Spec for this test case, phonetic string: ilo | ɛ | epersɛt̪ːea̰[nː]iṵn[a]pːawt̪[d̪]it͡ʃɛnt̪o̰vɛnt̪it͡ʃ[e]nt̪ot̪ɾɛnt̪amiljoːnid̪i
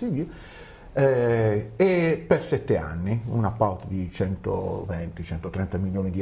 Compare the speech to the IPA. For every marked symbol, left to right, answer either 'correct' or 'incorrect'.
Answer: correct, correct, correct, incorrect: ɛ

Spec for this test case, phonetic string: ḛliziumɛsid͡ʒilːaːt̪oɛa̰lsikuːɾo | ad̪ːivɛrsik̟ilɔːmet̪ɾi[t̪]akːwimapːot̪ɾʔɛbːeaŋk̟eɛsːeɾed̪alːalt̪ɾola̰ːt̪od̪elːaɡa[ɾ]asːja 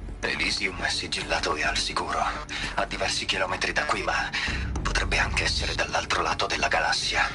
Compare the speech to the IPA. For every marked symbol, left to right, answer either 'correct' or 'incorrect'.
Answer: incorrect: d̪, incorrect: l

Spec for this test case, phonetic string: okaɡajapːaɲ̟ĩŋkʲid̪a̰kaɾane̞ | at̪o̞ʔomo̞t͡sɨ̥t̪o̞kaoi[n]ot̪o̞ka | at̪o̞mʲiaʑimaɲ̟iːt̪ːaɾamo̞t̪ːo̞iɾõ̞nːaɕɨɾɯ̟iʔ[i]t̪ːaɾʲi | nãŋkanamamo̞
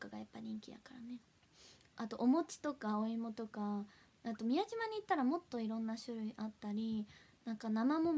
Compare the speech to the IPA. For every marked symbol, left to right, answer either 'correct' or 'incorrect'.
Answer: incorrect: m, incorrect: a

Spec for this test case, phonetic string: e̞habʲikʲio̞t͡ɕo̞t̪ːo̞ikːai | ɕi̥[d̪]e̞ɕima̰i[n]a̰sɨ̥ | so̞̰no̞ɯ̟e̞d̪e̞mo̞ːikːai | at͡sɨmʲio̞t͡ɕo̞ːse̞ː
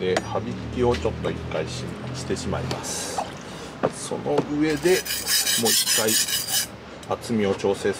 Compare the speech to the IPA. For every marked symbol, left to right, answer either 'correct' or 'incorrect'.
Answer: incorrect: t̪, incorrect: m

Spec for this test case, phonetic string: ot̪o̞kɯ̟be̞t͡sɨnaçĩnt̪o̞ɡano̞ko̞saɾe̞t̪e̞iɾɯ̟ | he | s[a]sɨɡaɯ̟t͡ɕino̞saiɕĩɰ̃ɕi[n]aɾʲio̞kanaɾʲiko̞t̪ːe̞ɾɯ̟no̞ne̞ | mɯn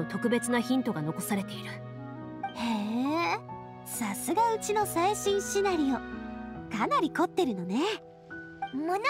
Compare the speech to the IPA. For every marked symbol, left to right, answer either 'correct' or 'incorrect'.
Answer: correct, correct

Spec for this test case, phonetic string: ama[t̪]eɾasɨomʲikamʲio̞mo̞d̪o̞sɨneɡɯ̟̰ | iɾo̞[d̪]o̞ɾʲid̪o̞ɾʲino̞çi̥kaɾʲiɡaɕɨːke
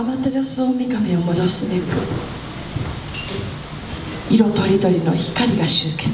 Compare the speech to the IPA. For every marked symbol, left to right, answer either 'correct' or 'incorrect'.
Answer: correct, incorrect: t̪

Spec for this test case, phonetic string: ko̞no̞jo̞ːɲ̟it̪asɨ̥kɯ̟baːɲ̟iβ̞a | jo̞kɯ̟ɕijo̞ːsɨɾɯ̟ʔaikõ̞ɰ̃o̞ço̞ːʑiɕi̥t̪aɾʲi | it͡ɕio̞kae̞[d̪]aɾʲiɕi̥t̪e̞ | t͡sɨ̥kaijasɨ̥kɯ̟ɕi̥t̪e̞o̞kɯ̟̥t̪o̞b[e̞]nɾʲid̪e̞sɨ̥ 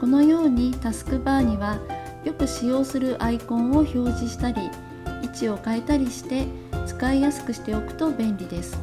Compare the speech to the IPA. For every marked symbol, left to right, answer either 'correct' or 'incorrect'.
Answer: incorrect: t̪, incorrect: ẽ̞

